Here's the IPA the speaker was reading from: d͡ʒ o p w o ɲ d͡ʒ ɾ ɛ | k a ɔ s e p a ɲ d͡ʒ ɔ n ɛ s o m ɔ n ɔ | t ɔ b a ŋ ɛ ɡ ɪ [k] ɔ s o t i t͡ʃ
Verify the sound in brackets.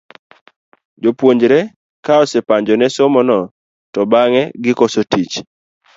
correct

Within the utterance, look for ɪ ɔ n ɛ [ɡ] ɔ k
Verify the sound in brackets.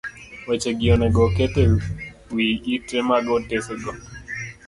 correct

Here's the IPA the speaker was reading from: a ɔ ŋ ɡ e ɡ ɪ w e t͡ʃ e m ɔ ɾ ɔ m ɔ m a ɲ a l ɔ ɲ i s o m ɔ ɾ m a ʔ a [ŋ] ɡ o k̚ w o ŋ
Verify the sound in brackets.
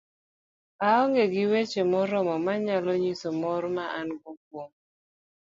incorrect: n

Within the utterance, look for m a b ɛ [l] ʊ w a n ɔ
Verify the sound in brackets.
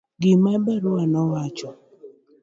incorrect: ɾ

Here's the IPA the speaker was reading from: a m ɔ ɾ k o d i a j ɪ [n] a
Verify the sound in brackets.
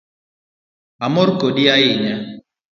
incorrect: ɲ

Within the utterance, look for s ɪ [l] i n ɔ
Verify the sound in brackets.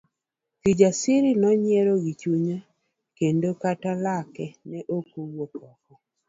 incorrect: ɾ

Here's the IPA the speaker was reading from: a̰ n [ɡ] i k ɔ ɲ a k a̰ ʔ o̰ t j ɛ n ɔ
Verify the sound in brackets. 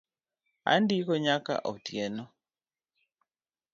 incorrect: d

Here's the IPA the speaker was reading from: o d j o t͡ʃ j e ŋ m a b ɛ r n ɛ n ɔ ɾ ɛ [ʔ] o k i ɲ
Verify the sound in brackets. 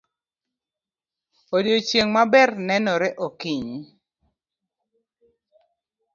correct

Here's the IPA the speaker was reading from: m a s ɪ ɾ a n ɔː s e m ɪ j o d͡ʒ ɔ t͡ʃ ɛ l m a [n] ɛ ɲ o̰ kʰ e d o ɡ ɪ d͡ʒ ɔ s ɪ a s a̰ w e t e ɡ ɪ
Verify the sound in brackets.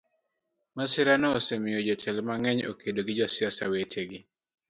incorrect: ŋ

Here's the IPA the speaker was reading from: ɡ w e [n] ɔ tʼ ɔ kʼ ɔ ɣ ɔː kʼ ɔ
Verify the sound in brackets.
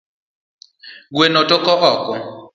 correct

